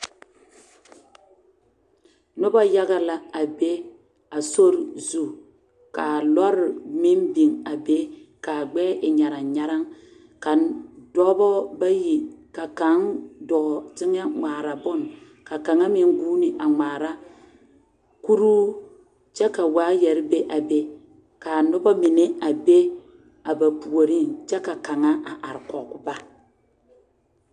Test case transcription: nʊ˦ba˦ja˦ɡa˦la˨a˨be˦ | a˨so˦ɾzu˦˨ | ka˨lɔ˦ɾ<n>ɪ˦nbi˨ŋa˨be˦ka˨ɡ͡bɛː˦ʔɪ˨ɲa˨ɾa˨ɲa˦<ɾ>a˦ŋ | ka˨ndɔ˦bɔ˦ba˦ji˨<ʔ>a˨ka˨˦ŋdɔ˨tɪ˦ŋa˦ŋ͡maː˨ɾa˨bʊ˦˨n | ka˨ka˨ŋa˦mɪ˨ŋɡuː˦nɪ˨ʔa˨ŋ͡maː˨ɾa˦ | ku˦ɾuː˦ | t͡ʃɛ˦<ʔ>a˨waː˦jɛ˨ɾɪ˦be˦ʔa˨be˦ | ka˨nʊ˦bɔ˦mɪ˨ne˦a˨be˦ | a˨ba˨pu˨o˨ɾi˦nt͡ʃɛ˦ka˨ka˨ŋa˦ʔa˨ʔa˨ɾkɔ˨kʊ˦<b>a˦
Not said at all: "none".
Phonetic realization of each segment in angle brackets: m, ɾ, k, k, b

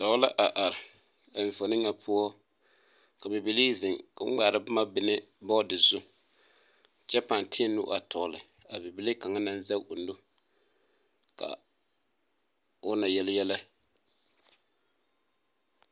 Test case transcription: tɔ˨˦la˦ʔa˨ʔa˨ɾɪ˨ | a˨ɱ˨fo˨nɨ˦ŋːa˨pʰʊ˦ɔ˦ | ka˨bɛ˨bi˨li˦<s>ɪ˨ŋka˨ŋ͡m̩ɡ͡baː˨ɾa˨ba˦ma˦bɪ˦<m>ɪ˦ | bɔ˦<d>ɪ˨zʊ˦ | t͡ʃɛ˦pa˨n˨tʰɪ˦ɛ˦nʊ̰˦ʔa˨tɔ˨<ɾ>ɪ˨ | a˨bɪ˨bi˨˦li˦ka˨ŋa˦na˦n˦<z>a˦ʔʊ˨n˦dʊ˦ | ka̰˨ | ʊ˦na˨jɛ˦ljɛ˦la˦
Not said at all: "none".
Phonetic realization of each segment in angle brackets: z, n, d, l, z

